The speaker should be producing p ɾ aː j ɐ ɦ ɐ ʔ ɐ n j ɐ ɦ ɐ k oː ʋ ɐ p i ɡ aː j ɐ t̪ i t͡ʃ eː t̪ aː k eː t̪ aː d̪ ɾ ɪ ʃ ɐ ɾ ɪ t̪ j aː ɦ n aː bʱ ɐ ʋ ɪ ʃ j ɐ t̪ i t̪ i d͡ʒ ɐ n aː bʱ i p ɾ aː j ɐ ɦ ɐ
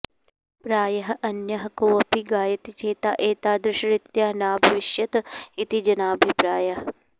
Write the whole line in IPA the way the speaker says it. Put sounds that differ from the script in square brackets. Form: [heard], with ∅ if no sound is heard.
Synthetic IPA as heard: p ɾ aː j ɐ ɦ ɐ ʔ ɐ n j ɐ ɦ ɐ k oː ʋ ɐ p i ɡ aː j ɐ t̪ i t͡ʃ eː t̪ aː [ʔ] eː t̪ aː d̪ ɾ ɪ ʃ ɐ ɾ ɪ t̪ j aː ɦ n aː bʱ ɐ ʋ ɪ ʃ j ɐ t̪ i t̪ i d͡ʒ ɐ n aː bʱ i p ɾ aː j ɐ ɦ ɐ